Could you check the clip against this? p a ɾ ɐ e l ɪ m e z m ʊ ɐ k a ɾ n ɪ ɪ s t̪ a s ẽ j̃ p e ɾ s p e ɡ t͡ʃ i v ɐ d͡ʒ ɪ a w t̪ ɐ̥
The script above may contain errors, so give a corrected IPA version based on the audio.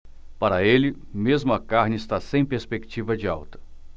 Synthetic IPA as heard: p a ɾ ɐ e l ɪ m e z m ʊ ɐ k a ɾ n ɪ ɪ s t̪ a s ẽ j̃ p e ɾ s p e k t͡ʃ i v ɐ d͡ʒ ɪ a w t̪ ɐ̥